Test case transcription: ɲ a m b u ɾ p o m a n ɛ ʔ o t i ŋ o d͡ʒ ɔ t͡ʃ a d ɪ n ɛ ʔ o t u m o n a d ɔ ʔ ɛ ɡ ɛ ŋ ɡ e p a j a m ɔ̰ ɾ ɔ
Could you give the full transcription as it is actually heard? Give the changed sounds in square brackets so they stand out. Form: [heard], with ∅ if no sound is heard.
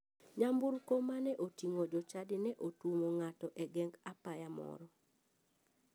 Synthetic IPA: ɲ a m b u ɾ [k] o m a n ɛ ʔ o t i ŋ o d͡ʒ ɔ t͡ʃ a d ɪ n ɛ ʔ o t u m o [ŋ] a [t] ɔ ʔ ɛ ɡ ɛ ŋ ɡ [a] p a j a m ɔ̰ ɾ ɔ